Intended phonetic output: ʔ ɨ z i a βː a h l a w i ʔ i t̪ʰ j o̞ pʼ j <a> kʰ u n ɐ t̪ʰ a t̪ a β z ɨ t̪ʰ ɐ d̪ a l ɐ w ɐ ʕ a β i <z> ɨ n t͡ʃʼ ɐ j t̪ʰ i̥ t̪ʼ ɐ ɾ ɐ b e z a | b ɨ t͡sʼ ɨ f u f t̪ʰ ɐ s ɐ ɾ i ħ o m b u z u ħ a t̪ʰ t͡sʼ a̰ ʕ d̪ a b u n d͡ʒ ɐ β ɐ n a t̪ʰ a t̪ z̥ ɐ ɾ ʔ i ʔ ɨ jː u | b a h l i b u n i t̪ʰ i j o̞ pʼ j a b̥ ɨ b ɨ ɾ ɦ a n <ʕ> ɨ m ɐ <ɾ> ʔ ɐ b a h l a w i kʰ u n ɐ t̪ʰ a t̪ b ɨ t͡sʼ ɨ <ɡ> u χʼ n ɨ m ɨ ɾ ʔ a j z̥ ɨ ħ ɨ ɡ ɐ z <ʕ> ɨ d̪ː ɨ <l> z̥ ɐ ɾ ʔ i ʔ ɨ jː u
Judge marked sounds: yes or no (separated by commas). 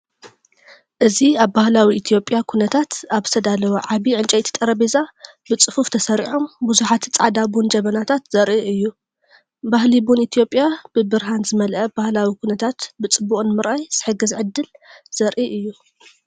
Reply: yes, no, no, no, no, yes, yes